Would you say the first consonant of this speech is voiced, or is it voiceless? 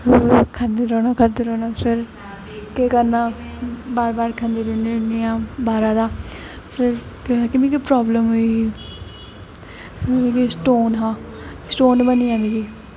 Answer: voiceless